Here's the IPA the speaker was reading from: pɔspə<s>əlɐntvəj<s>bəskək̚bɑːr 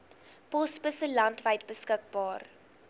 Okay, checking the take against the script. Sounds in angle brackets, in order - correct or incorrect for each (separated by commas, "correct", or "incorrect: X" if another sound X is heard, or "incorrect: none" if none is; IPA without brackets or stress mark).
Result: correct, incorrect: t